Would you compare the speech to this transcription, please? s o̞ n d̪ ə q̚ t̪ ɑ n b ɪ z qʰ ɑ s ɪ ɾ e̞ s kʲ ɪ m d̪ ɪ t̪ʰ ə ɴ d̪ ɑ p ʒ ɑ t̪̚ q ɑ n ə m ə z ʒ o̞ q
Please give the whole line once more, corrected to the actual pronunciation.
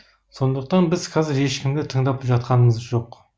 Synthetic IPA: s o̞ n d̪ ə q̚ t̪ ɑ n b ɪ z qʰ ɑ z ɪ ɾ e̞ ʃ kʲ ɪ m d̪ ɪ t̪ʰ ə ɴ d̪ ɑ p ʒ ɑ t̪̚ q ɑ n ə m ə z ʒ o̞ q